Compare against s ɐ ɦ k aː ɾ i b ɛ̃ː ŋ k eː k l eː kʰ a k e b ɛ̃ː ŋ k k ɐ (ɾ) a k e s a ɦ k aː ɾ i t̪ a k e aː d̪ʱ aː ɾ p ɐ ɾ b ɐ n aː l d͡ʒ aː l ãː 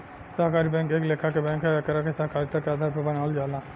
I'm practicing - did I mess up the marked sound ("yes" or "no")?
no